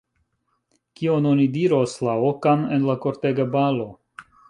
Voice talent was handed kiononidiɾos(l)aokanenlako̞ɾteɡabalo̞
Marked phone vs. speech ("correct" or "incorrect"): correct